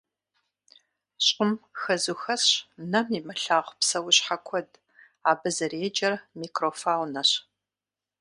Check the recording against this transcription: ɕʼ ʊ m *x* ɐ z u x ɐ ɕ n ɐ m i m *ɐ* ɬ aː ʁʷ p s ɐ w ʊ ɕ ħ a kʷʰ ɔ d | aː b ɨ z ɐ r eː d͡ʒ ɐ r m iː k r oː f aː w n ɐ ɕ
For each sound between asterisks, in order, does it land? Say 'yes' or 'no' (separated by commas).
yes, yes